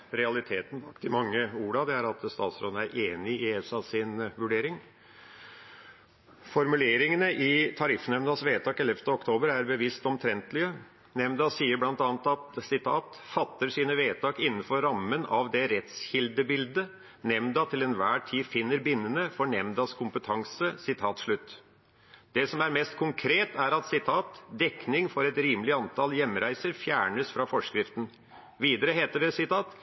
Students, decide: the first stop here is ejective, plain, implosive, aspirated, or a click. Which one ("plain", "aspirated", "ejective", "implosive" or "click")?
aspirated